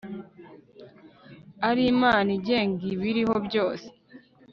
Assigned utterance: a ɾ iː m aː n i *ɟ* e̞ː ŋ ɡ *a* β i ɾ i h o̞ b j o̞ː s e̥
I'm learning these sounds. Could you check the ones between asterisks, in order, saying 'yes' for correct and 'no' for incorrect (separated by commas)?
yes, no